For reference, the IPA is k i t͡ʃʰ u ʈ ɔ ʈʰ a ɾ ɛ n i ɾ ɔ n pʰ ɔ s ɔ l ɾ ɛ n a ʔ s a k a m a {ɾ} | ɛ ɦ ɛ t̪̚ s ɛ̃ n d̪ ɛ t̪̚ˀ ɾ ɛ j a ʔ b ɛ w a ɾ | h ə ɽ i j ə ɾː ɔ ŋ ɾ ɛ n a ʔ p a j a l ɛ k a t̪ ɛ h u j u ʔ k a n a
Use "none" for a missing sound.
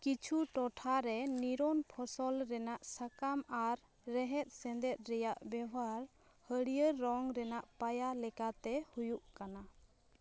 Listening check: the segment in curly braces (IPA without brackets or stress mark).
ɾː